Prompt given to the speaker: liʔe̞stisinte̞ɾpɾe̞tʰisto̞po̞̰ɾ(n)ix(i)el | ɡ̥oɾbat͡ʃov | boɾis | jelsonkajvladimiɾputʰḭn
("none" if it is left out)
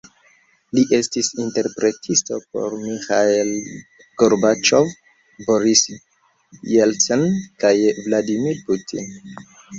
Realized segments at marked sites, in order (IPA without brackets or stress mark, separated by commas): m, a